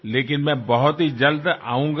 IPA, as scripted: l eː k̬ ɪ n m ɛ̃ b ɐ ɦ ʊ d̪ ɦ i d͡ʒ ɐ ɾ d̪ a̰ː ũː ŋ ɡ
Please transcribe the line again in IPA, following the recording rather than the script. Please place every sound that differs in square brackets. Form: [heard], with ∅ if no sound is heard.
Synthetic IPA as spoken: l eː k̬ ɪ n m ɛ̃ b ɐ ɦ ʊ [t̪] ɦ i d͡ʒ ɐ [l] d̪ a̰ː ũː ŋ ɡ